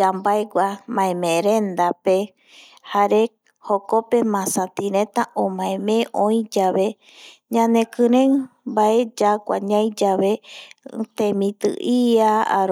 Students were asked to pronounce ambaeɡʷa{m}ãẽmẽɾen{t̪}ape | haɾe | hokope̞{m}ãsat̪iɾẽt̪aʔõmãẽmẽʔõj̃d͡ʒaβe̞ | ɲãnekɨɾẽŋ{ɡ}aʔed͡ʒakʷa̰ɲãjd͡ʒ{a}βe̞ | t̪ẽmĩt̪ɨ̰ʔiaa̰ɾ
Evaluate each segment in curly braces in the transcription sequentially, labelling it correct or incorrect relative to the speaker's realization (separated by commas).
correct, incorrect, correct, incorrect, correct